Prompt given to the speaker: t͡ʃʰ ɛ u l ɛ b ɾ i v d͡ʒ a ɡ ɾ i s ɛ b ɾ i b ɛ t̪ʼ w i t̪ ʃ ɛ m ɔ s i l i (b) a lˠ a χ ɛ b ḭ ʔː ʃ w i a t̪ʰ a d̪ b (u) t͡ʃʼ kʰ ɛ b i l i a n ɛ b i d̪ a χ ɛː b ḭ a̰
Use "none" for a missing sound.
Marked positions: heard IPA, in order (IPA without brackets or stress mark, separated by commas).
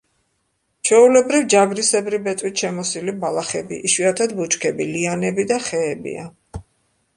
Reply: b, u